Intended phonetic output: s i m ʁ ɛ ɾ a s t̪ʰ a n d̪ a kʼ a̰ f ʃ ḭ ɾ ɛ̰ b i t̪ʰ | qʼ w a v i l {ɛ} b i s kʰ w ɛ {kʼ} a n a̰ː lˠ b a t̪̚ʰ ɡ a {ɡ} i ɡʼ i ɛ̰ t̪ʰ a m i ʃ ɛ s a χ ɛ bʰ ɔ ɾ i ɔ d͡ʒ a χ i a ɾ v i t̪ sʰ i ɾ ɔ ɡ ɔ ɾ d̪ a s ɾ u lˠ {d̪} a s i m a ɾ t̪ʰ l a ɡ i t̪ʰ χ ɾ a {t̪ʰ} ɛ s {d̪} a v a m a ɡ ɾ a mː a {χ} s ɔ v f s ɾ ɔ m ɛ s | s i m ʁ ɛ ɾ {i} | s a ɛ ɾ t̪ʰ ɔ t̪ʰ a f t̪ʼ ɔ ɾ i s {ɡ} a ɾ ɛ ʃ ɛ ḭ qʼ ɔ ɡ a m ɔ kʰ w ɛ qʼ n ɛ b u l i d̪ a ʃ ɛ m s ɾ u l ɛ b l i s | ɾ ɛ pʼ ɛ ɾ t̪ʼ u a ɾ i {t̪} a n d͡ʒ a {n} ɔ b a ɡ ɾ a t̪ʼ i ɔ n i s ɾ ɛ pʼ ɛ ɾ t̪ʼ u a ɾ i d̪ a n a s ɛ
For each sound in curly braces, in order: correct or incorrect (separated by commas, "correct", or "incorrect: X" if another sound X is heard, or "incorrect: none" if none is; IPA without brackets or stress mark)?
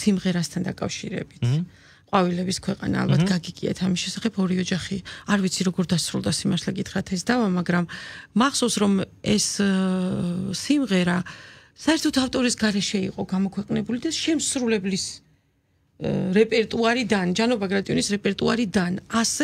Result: correct, incorrect: qʼ, correct, correct, correct, correct, correct, incorrect: a, correct, incorrect: d̪, correct